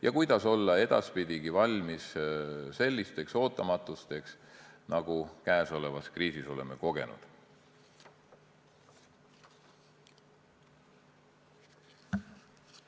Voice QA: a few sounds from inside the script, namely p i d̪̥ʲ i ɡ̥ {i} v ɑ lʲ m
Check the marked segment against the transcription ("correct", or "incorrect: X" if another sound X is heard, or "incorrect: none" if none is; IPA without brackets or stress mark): correct